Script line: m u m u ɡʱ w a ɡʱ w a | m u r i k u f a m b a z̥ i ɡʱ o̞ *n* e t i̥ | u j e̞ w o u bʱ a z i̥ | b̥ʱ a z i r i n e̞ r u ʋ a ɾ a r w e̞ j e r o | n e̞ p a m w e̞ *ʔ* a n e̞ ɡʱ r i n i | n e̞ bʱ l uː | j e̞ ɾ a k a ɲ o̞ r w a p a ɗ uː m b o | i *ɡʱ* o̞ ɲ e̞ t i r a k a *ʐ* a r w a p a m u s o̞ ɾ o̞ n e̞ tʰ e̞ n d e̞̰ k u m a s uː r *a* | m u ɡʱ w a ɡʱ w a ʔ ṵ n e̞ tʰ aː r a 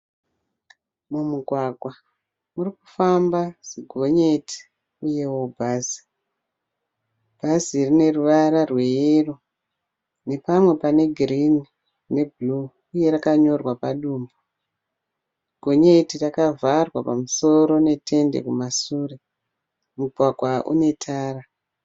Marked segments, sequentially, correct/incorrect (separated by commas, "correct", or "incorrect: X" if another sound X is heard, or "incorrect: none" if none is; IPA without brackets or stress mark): incorrect: ɲ, incorrect: p, correct, incorrect: v, incorrect: e